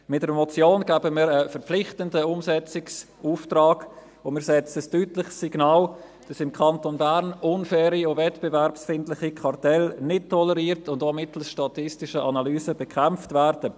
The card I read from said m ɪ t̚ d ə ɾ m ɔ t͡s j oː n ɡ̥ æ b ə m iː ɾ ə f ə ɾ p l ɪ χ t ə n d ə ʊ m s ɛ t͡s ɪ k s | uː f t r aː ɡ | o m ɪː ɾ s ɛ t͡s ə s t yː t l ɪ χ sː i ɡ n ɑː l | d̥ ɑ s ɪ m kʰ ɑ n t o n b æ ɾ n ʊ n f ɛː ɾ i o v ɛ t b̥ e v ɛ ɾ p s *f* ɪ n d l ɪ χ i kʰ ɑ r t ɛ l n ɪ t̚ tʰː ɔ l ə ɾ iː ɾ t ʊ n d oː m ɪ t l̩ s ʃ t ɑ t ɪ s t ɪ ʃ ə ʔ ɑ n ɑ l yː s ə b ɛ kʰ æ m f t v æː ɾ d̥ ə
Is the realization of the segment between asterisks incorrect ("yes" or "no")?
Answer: no